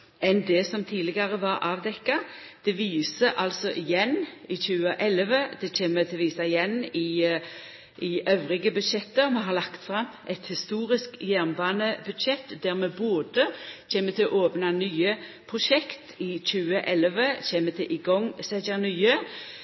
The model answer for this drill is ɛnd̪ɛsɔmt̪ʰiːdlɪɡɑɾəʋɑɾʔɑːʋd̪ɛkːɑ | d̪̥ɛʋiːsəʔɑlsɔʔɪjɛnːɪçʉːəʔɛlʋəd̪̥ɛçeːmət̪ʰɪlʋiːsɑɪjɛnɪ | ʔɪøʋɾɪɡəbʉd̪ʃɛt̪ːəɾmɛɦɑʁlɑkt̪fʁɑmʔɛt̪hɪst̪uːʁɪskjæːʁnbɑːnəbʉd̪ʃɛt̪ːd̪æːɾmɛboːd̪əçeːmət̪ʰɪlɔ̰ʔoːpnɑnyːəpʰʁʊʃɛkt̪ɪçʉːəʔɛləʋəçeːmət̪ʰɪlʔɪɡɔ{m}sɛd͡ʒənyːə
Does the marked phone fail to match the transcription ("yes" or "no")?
yes